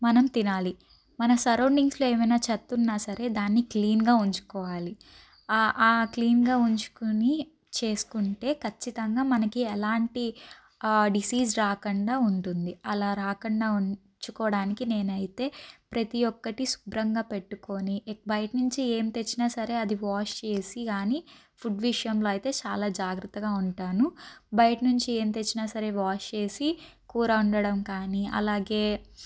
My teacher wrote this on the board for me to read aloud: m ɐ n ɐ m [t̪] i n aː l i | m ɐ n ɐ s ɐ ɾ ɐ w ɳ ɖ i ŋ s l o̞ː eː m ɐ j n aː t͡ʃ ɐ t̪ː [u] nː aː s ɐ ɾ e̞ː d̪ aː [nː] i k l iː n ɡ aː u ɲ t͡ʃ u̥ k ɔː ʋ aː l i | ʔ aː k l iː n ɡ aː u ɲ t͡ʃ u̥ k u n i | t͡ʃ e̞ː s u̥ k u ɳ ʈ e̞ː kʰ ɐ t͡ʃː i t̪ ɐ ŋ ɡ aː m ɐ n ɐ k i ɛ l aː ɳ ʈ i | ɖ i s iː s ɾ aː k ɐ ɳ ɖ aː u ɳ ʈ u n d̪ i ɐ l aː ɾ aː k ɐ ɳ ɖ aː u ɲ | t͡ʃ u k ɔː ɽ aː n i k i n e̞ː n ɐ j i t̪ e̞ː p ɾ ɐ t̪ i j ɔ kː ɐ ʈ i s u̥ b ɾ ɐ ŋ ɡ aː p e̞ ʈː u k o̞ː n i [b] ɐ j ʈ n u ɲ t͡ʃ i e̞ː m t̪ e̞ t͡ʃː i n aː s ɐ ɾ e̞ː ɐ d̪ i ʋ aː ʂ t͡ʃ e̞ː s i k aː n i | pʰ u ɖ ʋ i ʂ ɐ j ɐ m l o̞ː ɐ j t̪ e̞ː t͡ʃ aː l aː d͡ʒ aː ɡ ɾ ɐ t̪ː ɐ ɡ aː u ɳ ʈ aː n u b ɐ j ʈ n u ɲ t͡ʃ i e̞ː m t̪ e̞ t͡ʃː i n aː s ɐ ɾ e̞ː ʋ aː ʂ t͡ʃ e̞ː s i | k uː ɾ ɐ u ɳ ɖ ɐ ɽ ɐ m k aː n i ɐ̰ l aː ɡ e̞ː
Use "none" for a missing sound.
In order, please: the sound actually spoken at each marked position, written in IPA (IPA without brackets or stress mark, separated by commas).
t̪, u, nː, b